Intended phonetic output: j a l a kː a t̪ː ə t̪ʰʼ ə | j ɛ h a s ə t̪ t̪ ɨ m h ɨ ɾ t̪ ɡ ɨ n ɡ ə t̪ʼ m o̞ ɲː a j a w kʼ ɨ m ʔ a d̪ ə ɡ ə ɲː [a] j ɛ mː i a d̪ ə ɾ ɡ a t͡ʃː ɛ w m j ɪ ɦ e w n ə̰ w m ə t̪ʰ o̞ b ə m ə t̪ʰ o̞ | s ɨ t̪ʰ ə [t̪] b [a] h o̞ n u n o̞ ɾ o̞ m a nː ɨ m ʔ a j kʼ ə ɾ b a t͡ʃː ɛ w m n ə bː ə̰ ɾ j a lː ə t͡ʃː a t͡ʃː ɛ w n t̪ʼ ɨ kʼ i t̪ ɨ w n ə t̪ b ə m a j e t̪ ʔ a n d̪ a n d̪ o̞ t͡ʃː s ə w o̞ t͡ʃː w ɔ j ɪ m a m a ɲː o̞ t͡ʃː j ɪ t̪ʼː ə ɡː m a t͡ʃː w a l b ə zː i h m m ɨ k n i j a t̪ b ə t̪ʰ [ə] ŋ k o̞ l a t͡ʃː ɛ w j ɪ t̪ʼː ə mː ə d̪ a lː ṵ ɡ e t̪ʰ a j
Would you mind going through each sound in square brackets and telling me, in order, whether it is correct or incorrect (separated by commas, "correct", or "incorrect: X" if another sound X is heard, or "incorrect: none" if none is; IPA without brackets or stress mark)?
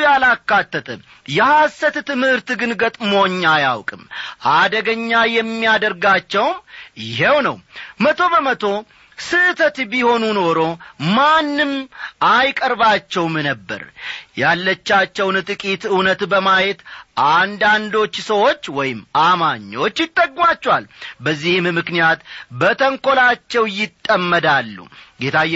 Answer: correct, correct, incorrect: i, correct